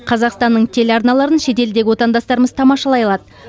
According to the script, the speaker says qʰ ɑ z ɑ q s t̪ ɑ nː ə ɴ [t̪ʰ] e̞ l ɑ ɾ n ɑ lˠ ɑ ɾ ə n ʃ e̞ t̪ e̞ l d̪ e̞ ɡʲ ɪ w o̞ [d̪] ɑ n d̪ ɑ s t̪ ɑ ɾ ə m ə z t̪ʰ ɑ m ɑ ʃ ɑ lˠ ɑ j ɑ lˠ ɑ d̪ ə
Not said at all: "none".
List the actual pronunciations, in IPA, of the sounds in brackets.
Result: t̪ʰ, t̪

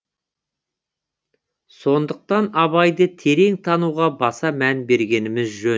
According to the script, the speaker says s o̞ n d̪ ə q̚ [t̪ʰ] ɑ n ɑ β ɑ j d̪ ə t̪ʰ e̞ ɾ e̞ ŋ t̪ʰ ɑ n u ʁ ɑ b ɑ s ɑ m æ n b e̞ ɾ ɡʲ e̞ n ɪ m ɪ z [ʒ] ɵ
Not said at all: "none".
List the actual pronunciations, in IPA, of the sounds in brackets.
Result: t̪, ʒ

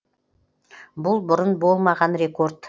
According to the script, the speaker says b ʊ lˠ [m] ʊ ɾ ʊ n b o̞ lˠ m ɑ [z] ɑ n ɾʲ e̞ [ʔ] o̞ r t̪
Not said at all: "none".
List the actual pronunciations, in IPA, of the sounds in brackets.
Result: b, ʁ, k

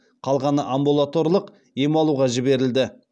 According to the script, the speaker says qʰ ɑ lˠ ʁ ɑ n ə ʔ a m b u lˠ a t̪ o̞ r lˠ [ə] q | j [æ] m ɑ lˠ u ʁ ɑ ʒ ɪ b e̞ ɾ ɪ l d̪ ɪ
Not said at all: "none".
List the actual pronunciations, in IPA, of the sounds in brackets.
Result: ə, e

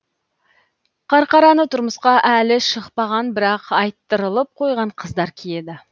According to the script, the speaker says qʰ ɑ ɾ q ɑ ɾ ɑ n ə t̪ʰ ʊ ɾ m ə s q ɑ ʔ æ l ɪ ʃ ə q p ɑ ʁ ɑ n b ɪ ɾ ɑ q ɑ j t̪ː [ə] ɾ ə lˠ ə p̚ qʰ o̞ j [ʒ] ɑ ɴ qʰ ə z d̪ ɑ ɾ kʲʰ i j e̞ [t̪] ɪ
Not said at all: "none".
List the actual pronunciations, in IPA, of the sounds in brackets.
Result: ə, ʁ, d̪

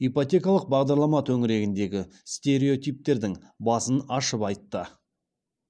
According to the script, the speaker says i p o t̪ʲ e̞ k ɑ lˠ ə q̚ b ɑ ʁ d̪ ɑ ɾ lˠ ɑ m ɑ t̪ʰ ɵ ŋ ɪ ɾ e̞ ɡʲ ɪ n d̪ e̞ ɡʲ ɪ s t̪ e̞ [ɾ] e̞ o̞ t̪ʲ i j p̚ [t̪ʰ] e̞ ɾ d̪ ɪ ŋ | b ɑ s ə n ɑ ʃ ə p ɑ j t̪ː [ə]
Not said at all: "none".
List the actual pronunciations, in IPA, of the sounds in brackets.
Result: ɾ, t̪, ə

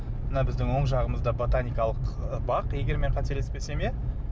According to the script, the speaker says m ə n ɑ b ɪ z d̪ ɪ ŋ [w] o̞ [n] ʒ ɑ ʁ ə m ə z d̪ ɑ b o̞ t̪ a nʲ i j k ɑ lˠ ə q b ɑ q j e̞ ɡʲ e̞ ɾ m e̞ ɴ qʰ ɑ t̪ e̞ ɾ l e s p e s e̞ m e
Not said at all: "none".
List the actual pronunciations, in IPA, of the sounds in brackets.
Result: w, ɴ

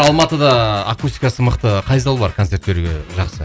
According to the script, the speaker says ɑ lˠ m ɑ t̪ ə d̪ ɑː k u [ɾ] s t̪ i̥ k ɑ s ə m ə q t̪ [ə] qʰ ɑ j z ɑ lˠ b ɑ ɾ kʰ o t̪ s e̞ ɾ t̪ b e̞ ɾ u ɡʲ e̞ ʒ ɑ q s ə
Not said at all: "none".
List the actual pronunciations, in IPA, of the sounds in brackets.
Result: none, ə

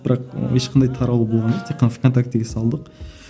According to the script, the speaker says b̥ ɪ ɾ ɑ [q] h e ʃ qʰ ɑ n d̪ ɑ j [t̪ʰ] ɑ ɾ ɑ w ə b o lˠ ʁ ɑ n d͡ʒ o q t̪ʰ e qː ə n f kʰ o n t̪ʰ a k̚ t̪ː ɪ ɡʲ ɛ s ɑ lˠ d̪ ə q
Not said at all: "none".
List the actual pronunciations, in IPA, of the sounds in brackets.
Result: q, t̪ʰ

